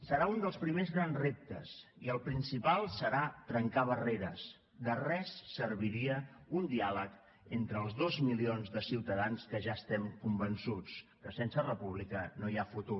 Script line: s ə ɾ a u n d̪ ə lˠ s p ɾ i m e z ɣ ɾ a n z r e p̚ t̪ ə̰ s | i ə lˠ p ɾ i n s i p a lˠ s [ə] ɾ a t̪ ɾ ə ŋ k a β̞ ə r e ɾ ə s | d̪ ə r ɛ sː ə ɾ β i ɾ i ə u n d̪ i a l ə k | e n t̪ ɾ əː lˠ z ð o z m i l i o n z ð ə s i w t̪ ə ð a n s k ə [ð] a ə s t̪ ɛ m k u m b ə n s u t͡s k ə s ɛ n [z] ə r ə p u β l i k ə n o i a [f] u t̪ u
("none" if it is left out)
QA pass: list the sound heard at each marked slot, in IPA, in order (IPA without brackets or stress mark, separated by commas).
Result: ə, ʒ, s, f